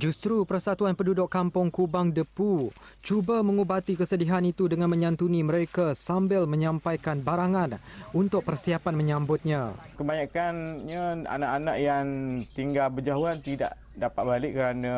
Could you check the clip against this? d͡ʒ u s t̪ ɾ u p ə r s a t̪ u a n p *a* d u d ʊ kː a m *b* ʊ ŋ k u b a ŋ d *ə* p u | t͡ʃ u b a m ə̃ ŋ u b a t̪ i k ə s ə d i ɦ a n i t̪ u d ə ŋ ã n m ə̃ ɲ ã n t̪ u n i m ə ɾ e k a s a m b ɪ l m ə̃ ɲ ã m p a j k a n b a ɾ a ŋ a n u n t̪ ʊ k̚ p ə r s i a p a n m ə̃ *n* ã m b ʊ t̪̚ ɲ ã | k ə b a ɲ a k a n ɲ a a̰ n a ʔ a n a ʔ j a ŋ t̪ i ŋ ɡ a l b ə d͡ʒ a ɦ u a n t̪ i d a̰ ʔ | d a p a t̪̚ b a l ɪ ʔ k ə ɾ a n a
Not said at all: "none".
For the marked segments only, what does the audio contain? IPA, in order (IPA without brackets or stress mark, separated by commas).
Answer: ə, p, ə, ɲ